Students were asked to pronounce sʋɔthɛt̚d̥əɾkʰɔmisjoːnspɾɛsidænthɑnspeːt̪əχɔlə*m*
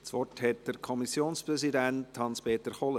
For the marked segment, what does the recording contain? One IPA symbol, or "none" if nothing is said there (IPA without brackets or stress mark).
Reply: none